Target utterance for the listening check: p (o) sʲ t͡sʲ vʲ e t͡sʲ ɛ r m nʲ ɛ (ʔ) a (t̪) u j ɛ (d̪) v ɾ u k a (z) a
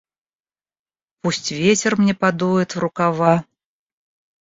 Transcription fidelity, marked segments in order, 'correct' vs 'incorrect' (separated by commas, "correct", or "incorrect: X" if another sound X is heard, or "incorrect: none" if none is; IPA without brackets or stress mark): incorrect: u, incorrect: p, incorrect: d̪, incorrect: t̪, incorrect: v